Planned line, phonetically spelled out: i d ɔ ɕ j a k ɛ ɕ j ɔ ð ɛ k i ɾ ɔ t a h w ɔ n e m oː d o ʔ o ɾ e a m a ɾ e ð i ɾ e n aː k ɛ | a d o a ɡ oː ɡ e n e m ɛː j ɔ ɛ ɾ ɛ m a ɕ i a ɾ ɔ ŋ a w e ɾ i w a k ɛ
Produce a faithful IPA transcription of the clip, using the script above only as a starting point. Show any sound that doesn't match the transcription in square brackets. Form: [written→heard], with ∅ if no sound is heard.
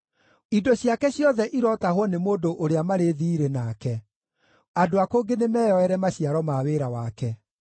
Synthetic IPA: i d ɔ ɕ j a k ɛ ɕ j ɔ ð ɛ [k→ʔ] i ɾ ɔ t a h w ɔ n e m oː d o ʔ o ɾ e a m a ɾ e ð i ɾ e n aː k ɛ | a d o a [ɡ→k] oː ɡ e n e m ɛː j ɔ ɛ ɾ ɛ m a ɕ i a ɾ ɔ [ŋ→m] a w e ɾ [i→a] w a k ɛ